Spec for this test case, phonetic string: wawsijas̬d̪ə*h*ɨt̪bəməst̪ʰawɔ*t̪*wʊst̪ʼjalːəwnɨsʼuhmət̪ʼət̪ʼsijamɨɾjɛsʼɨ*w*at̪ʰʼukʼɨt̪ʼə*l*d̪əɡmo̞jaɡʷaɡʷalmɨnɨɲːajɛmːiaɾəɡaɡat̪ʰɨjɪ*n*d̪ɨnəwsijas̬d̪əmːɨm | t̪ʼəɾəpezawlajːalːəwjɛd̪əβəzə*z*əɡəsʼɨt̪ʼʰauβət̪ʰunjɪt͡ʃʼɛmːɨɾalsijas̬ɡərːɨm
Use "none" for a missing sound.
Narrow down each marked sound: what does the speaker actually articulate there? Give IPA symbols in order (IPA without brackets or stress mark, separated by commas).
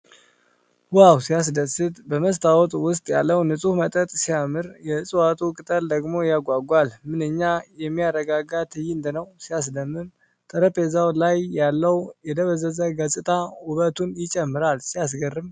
s, t̪ʼ, w, l, n, z